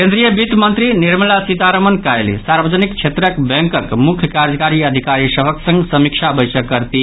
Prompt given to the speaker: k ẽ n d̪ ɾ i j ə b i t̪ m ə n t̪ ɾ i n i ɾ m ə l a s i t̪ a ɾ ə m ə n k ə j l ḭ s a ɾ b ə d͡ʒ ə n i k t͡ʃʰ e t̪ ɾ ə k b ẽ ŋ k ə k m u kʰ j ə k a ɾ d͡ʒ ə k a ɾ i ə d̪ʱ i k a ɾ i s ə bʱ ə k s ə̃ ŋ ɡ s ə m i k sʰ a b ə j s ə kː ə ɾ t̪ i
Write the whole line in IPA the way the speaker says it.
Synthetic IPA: k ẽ n d̪ ɾ i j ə b i t̪ m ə n t̪ ɾ i n i ɾ m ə l a s i t̪ a ɾ ə m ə n k a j l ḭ s a ɾ b ə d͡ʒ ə n i k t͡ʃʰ e t̪ ɾ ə k b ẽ ŋ k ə k m u kʰ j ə k a ɾ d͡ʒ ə k a ɾ i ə d̪ʱ i k a ɾ i s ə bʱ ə k s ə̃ ŋ ɡ s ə m i k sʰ a b ə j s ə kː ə ɾ t̪ i